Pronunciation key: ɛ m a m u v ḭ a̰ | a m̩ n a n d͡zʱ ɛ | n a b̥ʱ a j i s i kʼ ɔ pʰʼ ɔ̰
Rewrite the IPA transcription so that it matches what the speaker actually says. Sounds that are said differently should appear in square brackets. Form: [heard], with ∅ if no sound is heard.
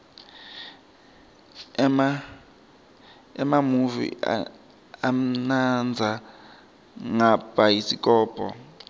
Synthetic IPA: ɛ m a m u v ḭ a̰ | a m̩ n a n d͡zʱ [a] | [ŋ] a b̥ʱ a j i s i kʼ [ɔː] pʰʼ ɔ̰